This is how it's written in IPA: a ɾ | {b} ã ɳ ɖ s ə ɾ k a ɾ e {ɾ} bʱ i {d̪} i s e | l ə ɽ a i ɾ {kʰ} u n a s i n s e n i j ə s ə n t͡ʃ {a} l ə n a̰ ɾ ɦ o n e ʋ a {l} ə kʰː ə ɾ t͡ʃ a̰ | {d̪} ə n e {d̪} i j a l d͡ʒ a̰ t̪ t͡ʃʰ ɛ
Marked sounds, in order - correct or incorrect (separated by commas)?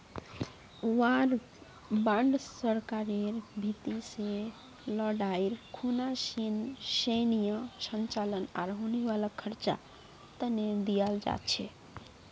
correct, correct, incorrect, correct, correct, correct, incorrect, correct